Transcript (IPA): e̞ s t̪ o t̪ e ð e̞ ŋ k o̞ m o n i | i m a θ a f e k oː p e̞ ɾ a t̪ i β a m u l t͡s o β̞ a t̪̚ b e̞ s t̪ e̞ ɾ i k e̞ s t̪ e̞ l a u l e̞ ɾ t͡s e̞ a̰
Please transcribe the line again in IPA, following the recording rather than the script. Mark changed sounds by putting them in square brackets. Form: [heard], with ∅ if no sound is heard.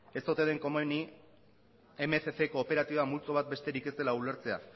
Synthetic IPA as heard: e̞ s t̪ o t̪ e ð e̞ ŋ k o̞ m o n i | [e] m [e] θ [e] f e k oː p e̞ ɾ a t̪ i β a m u l t͡s o β̞ a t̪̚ b e̞ s t̪ e̞ ɾ i k e̞ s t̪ e̞ l a u l e̞ ɾ t͡s e̞ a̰